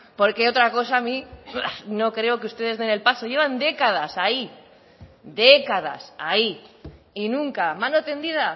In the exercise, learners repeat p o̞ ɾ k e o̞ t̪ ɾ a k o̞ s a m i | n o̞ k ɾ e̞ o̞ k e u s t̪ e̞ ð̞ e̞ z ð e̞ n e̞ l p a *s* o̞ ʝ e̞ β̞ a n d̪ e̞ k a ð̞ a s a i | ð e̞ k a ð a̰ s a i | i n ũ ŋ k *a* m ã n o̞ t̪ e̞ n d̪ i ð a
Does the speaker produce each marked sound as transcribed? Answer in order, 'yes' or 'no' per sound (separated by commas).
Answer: yes, yes